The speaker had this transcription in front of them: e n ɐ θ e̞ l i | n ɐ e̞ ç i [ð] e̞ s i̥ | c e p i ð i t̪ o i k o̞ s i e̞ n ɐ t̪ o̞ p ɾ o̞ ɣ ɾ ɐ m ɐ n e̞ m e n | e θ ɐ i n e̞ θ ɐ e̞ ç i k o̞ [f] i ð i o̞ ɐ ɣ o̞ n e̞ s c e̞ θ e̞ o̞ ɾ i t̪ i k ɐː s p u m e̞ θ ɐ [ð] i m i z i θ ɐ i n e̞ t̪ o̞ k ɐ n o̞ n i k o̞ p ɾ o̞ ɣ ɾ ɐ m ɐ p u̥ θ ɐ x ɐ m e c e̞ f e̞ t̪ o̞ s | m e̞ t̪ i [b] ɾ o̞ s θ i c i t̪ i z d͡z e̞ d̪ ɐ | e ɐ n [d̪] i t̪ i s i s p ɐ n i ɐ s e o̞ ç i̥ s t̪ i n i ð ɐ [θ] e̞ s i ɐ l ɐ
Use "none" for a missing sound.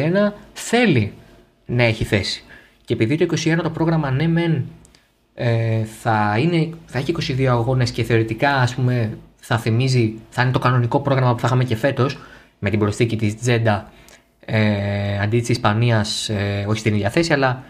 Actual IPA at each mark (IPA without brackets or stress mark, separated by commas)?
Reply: θ, s, θ, b, d̪, θ